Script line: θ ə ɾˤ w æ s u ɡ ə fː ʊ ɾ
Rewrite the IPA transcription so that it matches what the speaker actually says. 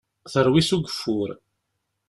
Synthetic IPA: θ ə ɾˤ w i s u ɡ ə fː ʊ ɾ